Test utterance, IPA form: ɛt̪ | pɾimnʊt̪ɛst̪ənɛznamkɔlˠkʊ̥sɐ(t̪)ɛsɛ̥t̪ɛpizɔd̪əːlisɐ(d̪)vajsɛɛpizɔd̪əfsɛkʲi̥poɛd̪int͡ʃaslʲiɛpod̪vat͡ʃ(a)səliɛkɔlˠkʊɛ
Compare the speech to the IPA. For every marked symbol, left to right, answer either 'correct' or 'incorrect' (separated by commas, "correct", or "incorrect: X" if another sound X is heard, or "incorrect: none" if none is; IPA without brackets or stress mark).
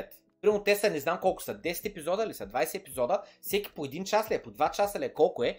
incorrect: d̪, correct, correct